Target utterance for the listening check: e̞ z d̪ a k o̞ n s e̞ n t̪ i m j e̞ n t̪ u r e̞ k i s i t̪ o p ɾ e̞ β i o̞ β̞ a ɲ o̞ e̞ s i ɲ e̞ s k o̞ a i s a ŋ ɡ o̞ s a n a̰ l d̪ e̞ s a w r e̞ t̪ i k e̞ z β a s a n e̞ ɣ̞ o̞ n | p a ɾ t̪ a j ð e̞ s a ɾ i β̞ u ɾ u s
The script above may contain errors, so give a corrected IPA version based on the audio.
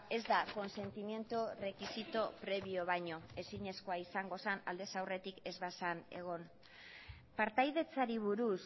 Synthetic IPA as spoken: e̞ z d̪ a k o̞ n s e̞ n t̪ i m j e̞ n t̪ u r e̞ k i s i t̪ o p ɾ e̞ β i o̞ β̞ a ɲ o̞ e̞ s i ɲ e̞ s k o̞ a i s a ŋ ɡ o̞ s a n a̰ l d̪ e̞ s a w r e̞ t̪ i k e̞ z β a s a n e̞ ɣ̞ o̞ n | p a ɾ t̪ a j ð e̞ t͡s a ɾ i β̞ u ɾ u s